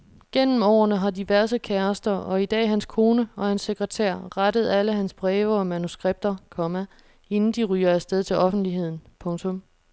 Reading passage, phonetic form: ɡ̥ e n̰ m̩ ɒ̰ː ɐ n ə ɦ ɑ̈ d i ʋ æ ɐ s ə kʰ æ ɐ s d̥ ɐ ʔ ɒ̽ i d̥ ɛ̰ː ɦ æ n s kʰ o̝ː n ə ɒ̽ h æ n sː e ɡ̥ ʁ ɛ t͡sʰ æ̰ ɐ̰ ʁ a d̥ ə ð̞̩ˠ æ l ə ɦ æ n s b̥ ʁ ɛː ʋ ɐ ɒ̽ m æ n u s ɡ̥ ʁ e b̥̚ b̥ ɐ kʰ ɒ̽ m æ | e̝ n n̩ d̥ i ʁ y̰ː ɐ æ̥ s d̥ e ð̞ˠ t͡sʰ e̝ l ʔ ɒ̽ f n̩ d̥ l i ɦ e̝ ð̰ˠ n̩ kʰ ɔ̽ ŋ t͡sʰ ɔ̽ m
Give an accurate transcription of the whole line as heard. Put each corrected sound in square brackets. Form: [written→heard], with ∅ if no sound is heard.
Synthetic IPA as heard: ɡ̥ e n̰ m̩ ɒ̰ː ɐ n ə ɦ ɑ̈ d i ʋ æ ɐ s ə kʰ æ ɐ s d̥ ɐ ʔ ɒ̽ i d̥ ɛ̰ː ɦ æ n s kʰ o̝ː n ə ɒ̽ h æ n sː e ɡ̥ ʁ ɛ t͡sʰ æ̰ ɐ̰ ʁ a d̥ ə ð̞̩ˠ æ l ə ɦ æ n s b̥ ʁ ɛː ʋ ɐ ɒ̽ m æ n u s ɡ̥ ʁ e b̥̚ [b̥→d̥] ɐ kʰ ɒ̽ m æ | e̝ n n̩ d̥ i ʁ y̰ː ɐ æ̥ s d̥ e ð̞ˠ t͡sʰ e̝ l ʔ ɒ̽ f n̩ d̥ l i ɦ e̝ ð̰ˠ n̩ [kʰ→pʰ] ɔ̽ ŋ t͡sʰ ɔ̽ m